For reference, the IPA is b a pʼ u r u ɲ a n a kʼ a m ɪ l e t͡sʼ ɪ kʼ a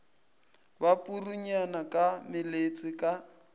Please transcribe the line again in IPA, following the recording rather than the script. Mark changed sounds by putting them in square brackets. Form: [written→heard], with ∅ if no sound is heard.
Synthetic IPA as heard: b a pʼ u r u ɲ a n a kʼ a m ɪ l e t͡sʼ ɪ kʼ a